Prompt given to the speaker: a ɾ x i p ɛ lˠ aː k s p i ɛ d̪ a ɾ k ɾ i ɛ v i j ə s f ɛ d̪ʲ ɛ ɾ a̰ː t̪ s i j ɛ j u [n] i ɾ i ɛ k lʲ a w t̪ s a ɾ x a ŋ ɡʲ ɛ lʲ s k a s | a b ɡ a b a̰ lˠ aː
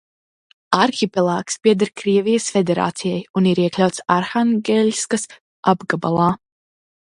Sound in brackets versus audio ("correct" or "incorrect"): correct